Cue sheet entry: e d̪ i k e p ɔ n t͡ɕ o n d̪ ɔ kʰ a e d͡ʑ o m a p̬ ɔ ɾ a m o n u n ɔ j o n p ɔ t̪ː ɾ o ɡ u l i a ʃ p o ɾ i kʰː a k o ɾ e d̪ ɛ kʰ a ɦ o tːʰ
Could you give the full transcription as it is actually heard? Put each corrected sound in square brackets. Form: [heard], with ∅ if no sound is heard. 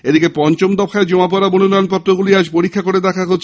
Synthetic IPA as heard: e d̪ i k e p ɔ n t͡ɕ o [m] d̪ ɔ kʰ a e d͡ʑ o m a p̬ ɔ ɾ a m o n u n ɔ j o n p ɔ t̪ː ɾ o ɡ u l i a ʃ p o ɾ i kʰː a k o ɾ e d̪ ɛ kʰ a ɦ o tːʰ